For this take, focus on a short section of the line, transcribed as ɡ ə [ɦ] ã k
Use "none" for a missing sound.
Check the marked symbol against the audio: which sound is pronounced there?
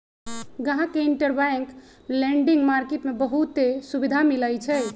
ɦ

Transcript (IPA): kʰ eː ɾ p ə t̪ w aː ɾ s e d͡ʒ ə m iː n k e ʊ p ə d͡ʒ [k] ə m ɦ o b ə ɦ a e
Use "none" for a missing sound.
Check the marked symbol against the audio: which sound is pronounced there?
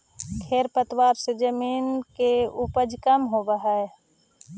k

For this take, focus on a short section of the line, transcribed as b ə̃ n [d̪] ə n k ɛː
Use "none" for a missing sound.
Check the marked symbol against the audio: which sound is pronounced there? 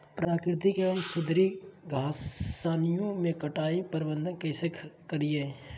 d̪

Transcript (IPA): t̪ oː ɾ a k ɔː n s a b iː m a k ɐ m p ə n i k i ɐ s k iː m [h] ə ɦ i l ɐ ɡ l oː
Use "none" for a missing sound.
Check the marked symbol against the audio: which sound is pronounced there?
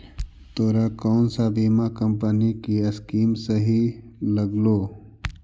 s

